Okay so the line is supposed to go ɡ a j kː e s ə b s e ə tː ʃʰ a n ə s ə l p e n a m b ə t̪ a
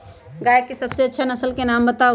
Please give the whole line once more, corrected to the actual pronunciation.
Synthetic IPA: ɡ a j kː e s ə b s e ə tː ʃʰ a n ə s ə l k e n a m b ə t̪ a